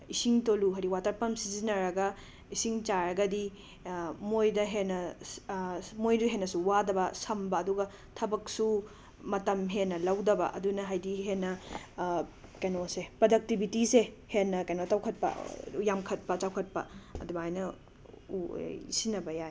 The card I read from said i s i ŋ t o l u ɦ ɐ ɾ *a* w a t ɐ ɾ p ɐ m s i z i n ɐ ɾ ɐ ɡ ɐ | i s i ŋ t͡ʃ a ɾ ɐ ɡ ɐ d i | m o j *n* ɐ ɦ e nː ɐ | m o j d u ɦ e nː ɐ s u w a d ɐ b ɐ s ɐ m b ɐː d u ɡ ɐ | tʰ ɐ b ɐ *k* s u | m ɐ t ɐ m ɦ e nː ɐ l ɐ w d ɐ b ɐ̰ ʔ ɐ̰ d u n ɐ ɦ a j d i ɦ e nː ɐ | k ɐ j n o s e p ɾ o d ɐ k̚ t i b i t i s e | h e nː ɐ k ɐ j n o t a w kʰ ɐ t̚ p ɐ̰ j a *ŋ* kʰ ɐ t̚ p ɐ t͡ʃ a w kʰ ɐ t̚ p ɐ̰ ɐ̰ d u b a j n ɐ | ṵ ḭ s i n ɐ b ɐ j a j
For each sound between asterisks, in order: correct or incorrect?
incorrect, incorrect, correct, incorrect

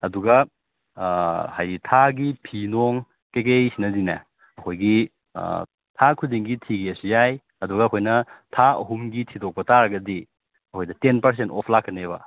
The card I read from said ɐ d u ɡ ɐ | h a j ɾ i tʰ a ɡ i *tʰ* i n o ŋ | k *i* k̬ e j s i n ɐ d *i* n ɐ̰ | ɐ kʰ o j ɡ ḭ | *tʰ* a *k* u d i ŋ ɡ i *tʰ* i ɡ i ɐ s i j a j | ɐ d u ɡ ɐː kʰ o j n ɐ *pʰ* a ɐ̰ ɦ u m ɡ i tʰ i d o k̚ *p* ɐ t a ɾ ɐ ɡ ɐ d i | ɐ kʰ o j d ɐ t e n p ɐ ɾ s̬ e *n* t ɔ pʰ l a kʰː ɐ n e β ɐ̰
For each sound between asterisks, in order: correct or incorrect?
incorrect, incorrect, correct, correct, incorrect, correct, incorrect, correct, correct

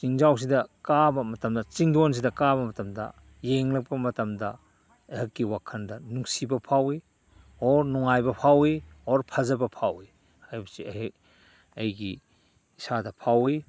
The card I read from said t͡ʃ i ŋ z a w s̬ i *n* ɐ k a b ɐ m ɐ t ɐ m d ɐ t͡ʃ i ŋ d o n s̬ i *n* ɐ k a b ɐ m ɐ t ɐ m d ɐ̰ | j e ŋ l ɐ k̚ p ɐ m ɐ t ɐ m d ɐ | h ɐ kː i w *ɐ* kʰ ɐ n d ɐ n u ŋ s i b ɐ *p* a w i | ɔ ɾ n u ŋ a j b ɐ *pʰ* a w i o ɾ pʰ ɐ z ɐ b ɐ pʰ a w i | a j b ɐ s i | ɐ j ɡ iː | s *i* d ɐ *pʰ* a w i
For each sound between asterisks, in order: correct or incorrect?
incorrect, incorrect, incorrect, incorrect, correct, incorrect, correct

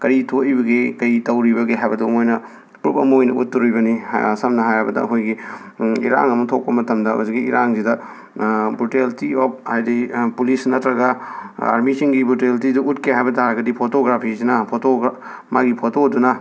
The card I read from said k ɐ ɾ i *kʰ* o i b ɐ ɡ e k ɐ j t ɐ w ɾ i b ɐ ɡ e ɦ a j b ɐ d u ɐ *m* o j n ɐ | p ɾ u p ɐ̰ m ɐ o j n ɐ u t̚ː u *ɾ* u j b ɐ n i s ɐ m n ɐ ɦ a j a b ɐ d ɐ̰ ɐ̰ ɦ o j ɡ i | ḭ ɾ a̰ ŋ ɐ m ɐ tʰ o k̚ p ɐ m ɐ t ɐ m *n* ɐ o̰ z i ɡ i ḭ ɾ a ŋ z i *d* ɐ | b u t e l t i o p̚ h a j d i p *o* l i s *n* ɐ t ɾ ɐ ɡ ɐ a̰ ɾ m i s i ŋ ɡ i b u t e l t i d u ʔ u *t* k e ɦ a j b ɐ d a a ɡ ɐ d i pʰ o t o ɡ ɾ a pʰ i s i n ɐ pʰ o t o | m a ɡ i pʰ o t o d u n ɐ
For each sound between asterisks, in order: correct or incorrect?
incorrect, correct, correct, incorrect, correct, incorrect, correct, correct

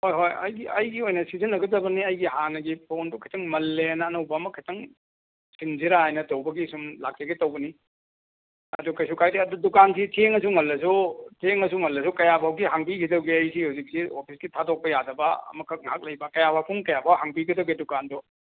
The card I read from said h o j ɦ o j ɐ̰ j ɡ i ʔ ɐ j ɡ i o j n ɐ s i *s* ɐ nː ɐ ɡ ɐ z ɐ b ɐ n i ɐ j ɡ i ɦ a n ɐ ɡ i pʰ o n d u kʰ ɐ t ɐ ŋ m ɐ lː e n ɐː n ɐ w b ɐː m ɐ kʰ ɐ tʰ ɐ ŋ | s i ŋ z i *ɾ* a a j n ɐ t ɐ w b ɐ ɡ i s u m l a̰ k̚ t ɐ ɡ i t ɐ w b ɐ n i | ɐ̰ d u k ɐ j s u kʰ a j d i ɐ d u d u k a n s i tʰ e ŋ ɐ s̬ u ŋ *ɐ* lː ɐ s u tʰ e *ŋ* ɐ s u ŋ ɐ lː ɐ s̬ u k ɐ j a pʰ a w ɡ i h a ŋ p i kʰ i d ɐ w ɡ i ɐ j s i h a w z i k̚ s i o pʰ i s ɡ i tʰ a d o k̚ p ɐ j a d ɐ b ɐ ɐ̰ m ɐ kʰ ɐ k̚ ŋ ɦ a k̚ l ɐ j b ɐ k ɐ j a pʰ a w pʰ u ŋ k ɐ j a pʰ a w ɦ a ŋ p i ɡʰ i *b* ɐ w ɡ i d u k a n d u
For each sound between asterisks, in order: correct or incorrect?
incorrect, correct, correct, correct, incorrect

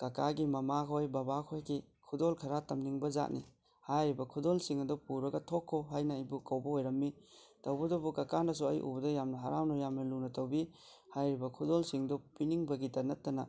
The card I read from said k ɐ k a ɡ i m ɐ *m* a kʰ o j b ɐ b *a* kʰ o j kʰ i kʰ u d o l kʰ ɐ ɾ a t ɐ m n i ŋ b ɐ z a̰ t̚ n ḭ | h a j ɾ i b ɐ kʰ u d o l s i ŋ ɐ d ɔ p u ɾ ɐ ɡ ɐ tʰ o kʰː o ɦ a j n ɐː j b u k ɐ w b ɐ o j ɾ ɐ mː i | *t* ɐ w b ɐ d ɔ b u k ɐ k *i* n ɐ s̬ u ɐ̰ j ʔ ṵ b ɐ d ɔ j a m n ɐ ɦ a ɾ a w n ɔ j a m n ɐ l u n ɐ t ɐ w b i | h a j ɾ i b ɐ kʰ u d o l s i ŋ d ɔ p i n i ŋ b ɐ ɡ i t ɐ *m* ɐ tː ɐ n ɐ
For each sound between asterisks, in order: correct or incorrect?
correct, correct, correct, incorrect, incorrect

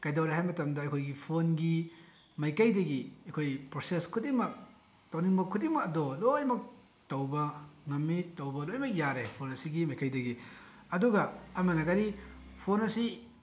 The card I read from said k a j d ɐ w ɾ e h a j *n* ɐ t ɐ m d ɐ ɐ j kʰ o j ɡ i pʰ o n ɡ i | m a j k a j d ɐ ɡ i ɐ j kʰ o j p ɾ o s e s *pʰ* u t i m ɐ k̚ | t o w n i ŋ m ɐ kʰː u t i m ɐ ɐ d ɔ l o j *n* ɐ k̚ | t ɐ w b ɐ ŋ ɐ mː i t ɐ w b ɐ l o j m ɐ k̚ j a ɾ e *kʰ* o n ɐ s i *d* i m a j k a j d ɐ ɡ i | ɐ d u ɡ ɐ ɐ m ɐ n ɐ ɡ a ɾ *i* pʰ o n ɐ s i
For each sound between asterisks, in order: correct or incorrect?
incorrect, incorrect, incorrect, incorrect, incorrect, correct

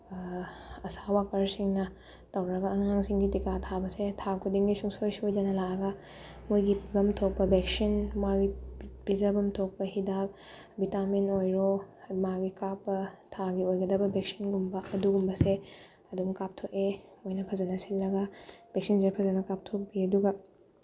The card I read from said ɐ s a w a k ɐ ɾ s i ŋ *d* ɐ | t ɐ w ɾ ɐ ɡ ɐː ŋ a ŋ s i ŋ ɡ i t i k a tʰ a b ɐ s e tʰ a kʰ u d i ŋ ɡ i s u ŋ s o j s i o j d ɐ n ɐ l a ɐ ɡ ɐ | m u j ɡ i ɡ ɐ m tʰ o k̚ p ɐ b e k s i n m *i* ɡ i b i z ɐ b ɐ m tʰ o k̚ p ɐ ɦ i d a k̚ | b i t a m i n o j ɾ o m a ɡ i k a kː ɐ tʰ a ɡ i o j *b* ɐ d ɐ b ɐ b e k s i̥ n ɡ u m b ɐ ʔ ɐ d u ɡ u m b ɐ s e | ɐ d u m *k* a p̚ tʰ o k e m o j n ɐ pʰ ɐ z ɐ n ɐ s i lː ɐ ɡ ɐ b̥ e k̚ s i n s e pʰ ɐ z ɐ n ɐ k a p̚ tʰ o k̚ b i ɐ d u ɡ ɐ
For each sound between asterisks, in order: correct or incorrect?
incorrect, incorrect, incorrect, correct

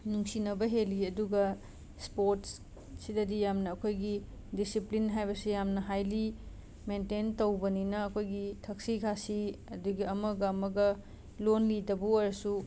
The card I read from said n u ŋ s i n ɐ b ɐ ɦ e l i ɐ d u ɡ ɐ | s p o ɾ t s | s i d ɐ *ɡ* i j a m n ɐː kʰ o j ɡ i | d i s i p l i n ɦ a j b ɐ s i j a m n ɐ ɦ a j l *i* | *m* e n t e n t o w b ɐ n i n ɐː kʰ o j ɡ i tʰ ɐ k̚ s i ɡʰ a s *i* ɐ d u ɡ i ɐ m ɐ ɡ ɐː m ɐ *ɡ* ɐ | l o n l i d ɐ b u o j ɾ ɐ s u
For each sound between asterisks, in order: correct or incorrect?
incorrect, correct, correct, correct, correct

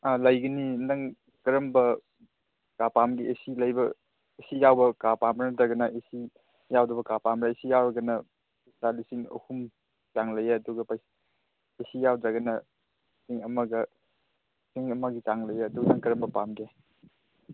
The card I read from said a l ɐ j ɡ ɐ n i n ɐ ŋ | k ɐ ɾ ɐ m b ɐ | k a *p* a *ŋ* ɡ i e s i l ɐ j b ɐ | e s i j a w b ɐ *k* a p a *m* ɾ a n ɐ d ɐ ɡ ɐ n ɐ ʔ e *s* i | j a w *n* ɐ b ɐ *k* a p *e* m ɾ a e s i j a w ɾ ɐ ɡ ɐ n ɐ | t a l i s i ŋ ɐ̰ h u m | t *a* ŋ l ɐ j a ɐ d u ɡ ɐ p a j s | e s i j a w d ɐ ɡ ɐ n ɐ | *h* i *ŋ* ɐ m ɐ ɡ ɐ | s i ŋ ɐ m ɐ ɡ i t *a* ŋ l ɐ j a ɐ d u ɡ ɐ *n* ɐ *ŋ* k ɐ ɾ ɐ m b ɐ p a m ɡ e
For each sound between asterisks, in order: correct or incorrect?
correct, incorrect, correct, correct, correct, incorrect, correct, incorrect, correct, incorrect, correct, correct, correct, correct

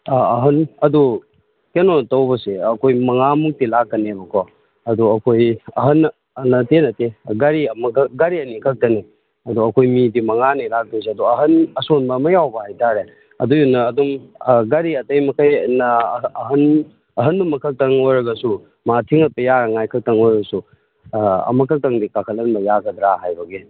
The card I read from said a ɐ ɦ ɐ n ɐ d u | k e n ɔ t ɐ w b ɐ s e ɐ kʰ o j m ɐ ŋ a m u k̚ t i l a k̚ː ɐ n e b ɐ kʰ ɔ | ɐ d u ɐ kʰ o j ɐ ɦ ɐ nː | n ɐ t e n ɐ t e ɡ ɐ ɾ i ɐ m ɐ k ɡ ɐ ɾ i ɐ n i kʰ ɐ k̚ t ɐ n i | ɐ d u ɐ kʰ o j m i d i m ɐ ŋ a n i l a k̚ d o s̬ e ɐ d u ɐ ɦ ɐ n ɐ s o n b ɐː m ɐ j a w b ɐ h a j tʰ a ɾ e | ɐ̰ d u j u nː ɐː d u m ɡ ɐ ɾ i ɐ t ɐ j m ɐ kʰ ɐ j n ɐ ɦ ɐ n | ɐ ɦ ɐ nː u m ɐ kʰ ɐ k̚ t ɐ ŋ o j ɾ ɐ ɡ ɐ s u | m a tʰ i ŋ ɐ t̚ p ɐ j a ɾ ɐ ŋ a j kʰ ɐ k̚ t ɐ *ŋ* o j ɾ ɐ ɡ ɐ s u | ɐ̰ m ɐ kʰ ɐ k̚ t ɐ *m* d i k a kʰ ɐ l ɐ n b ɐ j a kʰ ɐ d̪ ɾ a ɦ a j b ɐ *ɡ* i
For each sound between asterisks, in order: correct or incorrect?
correct, incorrect, correct

